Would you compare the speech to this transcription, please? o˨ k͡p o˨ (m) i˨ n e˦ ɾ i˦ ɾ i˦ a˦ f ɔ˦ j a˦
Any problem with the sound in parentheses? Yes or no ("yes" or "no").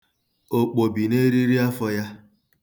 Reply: yes